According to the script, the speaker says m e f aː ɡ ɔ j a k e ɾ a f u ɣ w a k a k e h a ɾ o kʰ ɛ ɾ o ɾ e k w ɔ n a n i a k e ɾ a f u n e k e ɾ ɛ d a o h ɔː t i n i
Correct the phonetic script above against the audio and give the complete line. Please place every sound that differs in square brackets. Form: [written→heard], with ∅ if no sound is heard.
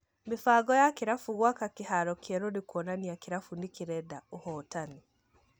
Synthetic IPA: m e f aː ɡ ɔ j a k e ɾ a f u ɣ w a k a k e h a ɾ [o→ɔ] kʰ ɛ ɾ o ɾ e k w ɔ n a n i a k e ɾ a f u n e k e ɾ ɛ d a o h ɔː t [i→a] n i